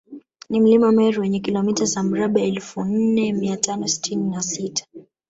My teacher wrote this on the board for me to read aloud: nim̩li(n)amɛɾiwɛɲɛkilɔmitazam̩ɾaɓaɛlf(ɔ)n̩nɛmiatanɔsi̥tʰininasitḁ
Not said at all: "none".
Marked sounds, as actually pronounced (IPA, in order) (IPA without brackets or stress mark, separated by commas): m, u